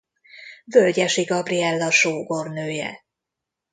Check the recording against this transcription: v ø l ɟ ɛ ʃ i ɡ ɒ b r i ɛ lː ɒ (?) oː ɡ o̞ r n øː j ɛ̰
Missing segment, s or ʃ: ʃ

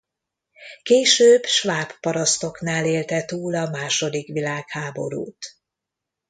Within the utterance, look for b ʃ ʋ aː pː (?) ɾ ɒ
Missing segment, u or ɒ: ɒ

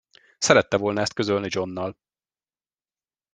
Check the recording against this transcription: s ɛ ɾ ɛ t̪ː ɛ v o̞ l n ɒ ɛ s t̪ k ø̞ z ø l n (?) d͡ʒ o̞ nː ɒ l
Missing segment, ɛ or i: i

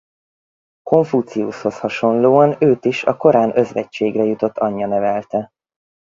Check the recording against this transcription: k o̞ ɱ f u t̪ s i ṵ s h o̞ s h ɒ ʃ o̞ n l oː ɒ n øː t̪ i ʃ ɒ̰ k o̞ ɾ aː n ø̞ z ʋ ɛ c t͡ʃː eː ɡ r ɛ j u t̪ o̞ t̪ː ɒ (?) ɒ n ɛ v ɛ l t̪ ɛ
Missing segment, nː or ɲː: ɲː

